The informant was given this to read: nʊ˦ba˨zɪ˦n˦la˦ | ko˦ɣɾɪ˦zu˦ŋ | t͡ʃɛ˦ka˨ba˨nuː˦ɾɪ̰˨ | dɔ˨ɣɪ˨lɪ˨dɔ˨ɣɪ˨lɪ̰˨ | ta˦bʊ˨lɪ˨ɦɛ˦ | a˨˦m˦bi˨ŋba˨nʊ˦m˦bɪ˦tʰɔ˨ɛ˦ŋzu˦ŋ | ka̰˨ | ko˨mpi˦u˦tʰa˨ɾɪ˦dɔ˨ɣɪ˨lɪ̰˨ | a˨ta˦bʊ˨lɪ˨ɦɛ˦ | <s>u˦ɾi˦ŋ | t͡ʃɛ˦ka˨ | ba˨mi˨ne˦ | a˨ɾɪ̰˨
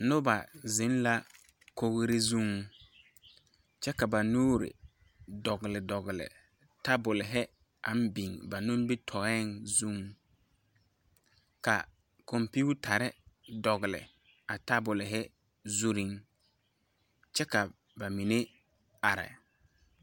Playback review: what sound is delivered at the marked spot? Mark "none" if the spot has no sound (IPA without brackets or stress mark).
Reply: z